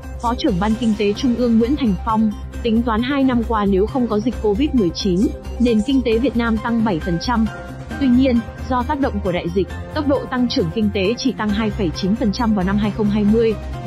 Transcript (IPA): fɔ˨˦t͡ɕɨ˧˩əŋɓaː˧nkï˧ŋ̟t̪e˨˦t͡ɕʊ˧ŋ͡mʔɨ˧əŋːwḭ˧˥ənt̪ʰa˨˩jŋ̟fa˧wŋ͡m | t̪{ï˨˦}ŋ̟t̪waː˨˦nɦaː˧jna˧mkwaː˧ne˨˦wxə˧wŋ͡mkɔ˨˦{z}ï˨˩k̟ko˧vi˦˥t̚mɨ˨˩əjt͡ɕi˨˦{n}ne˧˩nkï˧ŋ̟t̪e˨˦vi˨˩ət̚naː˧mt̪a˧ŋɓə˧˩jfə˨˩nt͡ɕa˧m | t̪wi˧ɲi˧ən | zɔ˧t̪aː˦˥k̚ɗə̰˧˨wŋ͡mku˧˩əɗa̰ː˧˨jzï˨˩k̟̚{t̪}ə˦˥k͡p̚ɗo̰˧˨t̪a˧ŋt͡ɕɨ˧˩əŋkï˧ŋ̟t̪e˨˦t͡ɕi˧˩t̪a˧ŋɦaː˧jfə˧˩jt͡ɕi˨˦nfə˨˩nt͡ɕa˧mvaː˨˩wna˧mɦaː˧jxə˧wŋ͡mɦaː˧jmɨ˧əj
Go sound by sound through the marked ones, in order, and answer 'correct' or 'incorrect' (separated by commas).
correct, correct, correct, correct